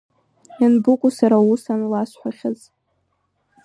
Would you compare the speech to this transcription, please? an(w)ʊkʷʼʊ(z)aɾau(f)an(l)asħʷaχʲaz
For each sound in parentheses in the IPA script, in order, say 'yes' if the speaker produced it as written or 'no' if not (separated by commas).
no, no, no, yes